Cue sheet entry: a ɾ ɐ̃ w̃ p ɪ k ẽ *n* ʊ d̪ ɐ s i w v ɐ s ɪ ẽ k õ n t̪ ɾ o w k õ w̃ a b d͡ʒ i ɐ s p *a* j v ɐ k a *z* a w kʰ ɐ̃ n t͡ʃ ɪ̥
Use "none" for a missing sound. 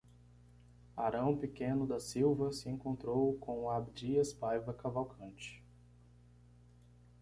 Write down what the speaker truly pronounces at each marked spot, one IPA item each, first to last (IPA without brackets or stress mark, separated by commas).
n, a, v